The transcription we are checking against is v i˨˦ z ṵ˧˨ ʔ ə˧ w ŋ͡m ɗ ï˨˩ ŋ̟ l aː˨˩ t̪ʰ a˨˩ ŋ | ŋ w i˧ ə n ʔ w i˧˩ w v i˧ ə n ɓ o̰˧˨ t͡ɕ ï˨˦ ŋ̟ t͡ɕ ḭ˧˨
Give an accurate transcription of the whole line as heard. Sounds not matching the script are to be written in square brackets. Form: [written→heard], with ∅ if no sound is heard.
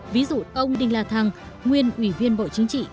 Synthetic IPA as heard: v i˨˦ z ṵ˧˨ ʔ ə˧ w ŋ͡m ɗ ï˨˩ ŋ̟ l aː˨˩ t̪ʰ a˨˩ ŋ | ŋ w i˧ ə n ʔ w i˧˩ [w→∅] v i˧ ə n ɓ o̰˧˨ t͡ɕ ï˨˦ ŋ̟ t͡ɕ ḭ˧˨